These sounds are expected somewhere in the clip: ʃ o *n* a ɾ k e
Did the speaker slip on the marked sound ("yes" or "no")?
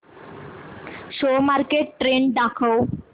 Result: yes